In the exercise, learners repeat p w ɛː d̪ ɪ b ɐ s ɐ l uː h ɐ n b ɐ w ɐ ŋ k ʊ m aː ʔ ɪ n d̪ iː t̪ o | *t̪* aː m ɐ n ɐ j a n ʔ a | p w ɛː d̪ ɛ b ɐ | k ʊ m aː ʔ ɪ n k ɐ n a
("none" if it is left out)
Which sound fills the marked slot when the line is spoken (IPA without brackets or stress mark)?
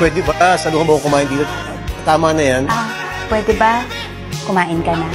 t̪